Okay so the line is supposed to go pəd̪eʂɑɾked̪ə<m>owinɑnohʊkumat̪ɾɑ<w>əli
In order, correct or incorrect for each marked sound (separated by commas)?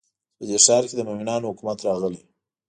correct, incorrect